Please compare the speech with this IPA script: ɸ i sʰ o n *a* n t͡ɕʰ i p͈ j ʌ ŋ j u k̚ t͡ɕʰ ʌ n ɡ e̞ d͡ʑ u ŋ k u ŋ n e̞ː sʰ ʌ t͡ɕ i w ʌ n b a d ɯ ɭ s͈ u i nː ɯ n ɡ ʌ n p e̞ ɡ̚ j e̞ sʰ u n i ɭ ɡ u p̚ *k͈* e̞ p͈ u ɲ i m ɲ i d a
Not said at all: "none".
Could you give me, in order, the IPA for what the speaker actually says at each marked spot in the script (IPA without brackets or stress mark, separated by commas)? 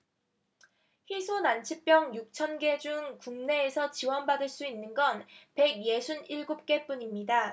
a, k͈